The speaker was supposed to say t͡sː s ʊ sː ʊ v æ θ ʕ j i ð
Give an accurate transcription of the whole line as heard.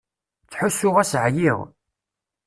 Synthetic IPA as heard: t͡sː ħ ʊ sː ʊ ʁ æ s ʕ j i ʁ